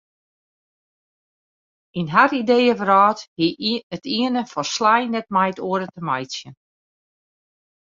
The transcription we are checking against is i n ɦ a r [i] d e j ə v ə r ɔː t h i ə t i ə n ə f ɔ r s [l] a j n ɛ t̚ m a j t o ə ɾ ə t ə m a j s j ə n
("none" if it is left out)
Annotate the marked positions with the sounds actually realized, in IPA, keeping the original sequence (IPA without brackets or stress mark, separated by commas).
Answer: i, l